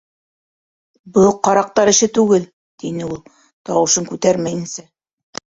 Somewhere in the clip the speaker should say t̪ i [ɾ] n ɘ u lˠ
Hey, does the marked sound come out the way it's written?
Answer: no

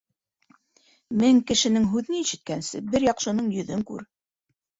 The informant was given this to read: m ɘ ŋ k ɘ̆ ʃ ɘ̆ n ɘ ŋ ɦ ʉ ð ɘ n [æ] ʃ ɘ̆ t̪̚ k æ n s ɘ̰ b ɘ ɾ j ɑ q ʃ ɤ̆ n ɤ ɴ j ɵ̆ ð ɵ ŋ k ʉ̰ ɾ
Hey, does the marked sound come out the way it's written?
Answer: no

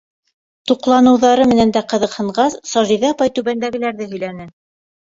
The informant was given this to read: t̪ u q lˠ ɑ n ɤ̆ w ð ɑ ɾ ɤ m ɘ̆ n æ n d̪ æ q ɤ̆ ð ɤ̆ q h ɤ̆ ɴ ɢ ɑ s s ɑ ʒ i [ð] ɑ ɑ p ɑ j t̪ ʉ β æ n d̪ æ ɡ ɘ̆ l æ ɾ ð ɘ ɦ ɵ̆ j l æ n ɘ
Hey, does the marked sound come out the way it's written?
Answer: yes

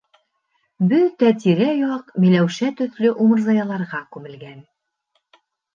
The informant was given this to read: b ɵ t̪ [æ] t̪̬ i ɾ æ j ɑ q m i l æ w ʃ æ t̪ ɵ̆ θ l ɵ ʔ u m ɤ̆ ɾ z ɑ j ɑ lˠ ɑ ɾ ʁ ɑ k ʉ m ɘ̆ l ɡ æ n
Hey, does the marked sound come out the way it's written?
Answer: yes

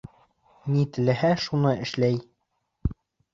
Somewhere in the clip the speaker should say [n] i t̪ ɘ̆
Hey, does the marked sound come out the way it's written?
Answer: yes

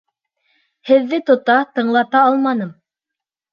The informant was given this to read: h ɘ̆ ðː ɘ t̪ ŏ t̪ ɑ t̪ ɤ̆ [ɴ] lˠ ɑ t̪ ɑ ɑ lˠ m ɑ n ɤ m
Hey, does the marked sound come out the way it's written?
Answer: yes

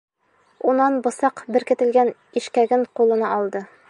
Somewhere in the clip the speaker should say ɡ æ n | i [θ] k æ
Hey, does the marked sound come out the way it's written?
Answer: no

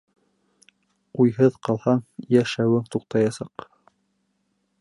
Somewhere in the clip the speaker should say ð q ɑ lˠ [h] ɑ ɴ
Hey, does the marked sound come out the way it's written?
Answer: yes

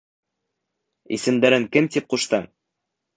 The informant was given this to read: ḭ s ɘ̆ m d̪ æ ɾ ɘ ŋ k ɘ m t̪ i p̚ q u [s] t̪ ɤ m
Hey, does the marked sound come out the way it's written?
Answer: no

